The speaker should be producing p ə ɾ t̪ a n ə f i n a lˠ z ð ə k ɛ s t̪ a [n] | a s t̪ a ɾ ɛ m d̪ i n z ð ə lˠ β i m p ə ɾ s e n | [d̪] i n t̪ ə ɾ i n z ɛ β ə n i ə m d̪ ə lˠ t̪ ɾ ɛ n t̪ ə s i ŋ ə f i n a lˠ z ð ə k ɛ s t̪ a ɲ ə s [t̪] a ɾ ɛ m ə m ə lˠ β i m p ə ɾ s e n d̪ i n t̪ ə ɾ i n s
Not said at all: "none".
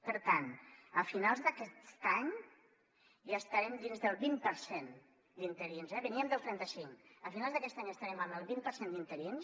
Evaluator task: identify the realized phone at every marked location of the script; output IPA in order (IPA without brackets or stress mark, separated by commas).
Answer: ɲ, d̪, t̪